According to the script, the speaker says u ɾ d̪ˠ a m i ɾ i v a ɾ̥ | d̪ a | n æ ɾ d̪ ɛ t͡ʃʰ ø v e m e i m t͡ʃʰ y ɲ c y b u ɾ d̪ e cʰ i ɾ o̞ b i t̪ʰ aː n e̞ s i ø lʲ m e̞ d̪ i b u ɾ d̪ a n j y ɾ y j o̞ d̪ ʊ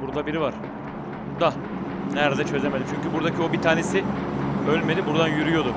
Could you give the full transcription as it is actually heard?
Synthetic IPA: u ɾ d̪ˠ a b i ɾ i v a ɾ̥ | d̪ a | n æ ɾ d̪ ɛ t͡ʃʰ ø z e m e i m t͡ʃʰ y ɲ c y b u ɾ d̪ a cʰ i o̞ b i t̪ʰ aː n e̞ s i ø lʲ m e̞ d̪ i b u ɾ d̪ a n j y ɾ y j o̞ d̪ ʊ